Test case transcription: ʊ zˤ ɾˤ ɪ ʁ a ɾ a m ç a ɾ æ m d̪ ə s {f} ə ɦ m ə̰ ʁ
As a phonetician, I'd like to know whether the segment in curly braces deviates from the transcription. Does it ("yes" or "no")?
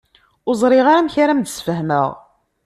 no